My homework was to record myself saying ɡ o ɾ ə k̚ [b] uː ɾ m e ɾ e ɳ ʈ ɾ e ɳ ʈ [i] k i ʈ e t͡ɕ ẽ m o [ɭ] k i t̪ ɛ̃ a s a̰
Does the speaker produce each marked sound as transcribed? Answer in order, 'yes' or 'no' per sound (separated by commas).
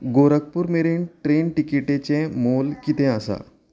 no, yes, no